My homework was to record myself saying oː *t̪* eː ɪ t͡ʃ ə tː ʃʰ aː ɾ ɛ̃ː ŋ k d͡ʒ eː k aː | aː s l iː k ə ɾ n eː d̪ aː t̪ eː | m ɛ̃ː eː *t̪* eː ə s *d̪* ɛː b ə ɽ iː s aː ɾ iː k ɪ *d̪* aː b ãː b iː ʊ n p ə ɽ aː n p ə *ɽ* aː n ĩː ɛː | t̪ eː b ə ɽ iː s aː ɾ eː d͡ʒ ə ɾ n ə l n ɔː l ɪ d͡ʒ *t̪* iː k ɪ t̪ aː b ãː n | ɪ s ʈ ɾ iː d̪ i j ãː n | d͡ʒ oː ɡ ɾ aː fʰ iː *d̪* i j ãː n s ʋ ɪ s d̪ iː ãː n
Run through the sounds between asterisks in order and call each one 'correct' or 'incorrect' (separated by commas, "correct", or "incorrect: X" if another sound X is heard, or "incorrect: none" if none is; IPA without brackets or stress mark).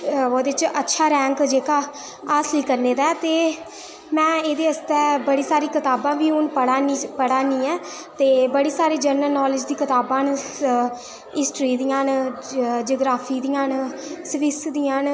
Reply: incorrect: d̪, incorrect: d̪, incorrect: t̪, incorrect: t̪, correct, incorrect: d̪, correct